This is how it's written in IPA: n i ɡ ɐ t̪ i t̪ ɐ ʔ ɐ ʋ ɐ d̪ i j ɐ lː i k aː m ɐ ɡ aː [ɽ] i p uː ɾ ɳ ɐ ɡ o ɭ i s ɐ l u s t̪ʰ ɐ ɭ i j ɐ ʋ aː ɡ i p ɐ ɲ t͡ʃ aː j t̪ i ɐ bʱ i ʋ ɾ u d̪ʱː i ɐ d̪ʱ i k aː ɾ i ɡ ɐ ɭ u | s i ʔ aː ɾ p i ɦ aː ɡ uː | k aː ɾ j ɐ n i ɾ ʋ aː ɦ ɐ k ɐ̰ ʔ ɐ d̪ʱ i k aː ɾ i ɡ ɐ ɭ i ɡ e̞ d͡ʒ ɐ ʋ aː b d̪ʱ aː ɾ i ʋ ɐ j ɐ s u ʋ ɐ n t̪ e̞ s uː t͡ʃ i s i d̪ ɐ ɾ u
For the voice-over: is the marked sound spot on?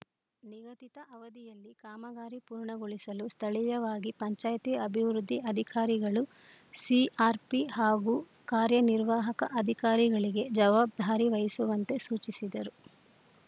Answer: no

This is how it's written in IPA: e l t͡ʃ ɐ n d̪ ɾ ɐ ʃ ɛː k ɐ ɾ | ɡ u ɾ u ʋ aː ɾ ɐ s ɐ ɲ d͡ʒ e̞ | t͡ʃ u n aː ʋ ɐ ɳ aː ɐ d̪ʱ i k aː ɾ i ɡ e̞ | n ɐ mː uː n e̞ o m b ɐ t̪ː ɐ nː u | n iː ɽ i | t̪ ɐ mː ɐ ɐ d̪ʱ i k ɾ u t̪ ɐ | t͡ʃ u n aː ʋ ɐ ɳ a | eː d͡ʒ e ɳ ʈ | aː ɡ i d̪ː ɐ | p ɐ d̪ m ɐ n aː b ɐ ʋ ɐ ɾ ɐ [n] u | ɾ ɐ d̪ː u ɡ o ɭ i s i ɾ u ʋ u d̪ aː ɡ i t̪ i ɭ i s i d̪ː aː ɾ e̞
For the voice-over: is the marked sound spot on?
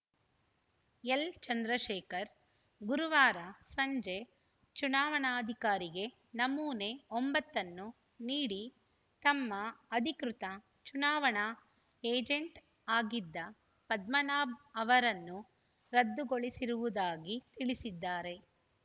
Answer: no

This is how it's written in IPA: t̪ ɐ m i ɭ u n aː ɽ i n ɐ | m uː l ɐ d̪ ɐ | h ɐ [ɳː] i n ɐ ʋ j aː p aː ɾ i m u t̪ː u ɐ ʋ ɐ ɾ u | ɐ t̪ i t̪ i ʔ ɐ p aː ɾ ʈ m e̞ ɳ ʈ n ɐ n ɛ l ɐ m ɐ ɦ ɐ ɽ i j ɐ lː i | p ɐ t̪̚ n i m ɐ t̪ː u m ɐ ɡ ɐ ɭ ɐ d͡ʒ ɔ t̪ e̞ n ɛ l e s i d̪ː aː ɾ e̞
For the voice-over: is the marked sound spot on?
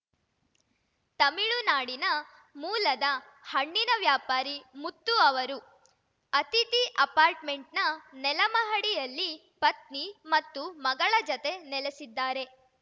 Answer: yes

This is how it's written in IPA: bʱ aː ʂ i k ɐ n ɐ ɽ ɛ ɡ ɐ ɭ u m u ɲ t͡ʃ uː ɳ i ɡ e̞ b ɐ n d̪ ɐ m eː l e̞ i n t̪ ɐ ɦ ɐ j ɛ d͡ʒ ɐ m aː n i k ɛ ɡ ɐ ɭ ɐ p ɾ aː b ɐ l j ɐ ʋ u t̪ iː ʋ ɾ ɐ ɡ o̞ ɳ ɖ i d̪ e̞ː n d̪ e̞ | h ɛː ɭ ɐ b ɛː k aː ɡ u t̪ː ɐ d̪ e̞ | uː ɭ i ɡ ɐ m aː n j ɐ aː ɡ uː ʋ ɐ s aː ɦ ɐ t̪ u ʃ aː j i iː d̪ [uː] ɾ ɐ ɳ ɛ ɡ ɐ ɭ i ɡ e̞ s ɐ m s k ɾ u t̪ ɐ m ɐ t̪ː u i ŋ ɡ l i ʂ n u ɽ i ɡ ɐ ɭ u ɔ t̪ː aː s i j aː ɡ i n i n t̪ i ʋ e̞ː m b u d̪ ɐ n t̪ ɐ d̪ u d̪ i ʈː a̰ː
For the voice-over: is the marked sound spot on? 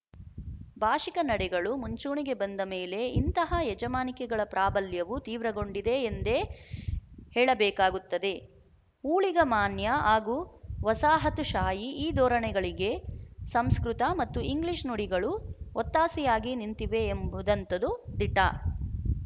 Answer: no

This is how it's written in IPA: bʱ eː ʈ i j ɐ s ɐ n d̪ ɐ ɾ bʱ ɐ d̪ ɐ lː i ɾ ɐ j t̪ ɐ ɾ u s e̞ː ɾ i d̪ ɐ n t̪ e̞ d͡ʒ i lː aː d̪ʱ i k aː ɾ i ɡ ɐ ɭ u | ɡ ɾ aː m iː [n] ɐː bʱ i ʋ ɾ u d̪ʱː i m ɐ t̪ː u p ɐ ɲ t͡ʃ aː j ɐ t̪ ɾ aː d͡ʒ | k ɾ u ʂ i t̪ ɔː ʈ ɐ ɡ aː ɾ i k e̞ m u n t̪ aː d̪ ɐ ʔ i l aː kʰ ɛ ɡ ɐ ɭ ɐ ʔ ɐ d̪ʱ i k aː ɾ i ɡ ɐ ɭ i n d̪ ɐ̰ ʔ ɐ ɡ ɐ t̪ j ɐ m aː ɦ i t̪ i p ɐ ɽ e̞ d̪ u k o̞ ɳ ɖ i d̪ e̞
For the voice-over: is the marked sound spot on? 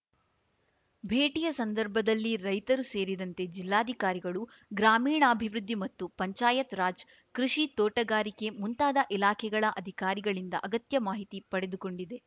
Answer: no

